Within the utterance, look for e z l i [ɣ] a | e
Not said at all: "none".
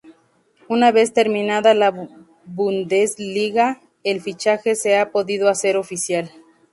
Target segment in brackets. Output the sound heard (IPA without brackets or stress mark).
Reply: ɣ